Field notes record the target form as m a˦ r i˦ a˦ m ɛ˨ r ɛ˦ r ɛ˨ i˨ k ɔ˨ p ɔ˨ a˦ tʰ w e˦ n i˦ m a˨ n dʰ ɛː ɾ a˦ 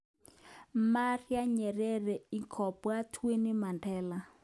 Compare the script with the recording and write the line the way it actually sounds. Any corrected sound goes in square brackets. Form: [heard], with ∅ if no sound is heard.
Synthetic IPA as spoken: m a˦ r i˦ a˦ [ɲ] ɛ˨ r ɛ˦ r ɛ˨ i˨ [kʰ] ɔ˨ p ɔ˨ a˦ tʰ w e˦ n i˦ m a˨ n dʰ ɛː [l] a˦